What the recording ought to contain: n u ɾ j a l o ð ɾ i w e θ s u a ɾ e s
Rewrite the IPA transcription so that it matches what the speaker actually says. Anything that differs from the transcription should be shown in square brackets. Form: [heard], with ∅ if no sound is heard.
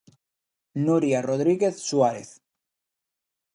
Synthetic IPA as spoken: n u ɾ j a [r] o ð ɾ i [ɣ] e θ s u a ɾ e [θ]